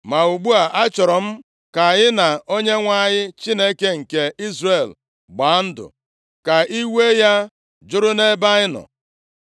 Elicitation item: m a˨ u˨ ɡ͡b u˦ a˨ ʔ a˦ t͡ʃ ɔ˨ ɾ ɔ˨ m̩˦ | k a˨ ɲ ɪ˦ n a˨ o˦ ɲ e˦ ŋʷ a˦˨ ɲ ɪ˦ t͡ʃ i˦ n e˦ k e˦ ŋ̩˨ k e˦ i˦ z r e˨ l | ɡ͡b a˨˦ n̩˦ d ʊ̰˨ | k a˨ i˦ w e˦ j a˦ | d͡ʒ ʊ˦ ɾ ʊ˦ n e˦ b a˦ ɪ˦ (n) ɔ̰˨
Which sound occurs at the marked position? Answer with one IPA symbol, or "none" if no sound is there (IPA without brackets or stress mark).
n